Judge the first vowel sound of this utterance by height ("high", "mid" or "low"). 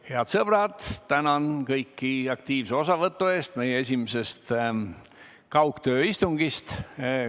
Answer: mid